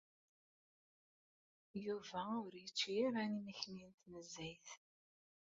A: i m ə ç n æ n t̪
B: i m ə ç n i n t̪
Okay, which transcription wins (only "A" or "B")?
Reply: B